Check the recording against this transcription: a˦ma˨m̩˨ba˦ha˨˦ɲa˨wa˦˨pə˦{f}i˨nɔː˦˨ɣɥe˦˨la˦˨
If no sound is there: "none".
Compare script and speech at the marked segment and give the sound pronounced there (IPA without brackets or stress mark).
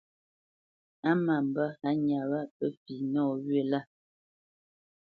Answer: f